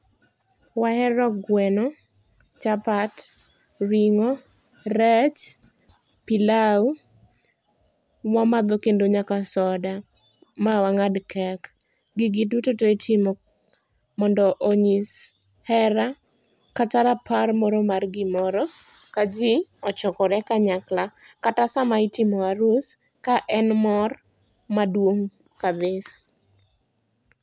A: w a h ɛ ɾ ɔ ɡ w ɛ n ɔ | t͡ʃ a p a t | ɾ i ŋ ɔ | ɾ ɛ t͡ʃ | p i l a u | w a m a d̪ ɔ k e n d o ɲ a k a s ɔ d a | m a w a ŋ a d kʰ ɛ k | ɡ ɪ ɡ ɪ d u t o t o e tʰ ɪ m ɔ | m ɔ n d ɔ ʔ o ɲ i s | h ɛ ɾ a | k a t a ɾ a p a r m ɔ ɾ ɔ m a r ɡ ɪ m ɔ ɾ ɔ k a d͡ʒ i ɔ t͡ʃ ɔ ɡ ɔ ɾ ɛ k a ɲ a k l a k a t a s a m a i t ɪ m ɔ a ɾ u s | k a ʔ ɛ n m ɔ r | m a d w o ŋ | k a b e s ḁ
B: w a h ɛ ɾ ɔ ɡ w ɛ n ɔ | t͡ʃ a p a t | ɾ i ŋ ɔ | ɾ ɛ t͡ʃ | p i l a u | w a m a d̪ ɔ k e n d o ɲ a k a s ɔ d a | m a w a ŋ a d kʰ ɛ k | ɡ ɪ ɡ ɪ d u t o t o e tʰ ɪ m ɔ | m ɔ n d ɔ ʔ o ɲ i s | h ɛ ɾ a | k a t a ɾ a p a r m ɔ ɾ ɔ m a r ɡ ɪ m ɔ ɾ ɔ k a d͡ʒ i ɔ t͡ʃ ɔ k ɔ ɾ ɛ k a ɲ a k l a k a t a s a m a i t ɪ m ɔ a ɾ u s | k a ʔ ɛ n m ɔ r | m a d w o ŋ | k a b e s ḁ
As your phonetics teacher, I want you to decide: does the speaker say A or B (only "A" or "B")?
B